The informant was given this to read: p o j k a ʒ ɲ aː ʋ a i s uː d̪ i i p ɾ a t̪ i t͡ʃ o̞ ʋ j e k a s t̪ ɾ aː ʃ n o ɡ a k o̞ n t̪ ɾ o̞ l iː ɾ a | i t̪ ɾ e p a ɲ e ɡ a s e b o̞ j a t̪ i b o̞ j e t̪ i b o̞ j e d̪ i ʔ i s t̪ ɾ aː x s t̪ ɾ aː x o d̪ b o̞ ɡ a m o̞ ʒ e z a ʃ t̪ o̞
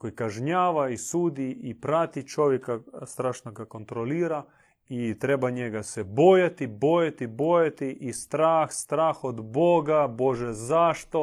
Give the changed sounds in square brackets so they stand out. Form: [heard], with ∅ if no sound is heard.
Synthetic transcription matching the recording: [k] o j k a ʒ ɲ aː ʋ a i s uː d̪ i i p ɾ a t̪ i t͡ʃ o̞ ʋ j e k a s t̪ ɾ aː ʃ n o ɡ a k o̞ n t̪ ɾ o̞ l iː ɾ a | i t̪ ɾ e [b] a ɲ e ɡ a s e b o̞ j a t̪ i b o̞ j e t̪ i b o̞ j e [t̪] i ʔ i s t̪ ɾ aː x s t̪ ɾ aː x o d̪ b o̞ ɡ a [b] o̞ ʒ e z a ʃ t̪ o̞